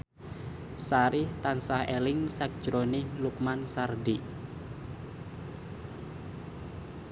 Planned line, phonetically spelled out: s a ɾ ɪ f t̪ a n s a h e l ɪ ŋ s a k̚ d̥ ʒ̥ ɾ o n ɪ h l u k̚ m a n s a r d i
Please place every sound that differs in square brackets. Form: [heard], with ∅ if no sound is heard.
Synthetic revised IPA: s a ɾ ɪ [h] t̪ a n s a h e l ɪ ŋ s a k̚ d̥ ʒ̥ ɾ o n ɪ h l u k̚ m a n s a r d i